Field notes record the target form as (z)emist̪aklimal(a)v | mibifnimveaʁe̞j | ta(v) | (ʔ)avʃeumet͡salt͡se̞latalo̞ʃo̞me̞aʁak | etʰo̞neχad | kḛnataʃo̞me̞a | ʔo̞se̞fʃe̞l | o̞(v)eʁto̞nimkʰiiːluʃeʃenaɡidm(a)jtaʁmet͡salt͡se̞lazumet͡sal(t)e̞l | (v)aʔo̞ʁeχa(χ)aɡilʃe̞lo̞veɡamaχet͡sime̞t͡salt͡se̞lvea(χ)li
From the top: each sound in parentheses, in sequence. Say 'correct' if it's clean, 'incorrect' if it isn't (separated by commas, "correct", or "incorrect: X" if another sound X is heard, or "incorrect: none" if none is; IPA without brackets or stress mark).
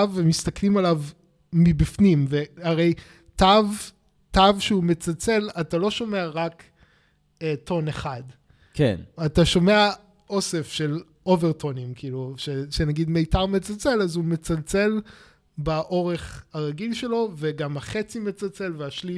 incorrect: v, correct, correct, incorrect: t, correct, incorrect: e, incorrect: t͡s, incorrect: b, incorrect: ʁ, incorrect: ʃ